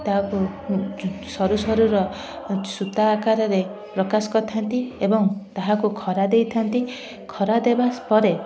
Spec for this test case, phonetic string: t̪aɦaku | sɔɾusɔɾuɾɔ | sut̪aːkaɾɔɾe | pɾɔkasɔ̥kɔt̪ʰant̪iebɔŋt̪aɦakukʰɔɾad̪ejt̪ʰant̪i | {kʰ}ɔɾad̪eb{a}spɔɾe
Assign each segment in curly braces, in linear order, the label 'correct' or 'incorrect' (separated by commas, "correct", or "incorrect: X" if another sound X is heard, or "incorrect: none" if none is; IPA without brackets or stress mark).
correct, correct